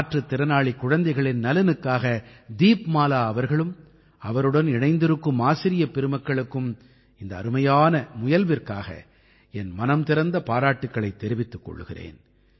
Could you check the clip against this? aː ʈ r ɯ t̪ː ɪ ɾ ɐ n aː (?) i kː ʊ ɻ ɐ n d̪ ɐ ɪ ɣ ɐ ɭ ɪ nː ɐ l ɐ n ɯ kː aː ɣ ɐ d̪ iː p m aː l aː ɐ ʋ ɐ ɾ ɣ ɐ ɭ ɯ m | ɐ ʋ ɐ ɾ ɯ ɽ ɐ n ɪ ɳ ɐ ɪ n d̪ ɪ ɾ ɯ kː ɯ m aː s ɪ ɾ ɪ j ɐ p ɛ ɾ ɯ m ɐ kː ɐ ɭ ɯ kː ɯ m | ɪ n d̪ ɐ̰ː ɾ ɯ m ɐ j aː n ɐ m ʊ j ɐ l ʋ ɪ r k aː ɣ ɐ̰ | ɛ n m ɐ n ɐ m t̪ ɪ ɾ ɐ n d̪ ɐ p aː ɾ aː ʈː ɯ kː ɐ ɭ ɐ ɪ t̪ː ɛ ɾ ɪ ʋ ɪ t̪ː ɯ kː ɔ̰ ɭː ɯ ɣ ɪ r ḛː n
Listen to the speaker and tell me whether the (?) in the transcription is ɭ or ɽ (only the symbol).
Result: ɭ